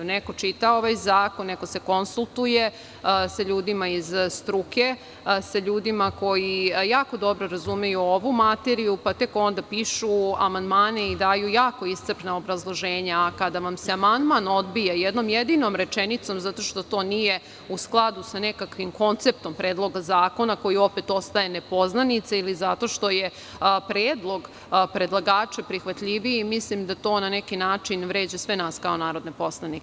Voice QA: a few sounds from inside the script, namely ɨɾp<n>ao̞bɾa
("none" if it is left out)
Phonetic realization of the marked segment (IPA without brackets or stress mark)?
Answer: n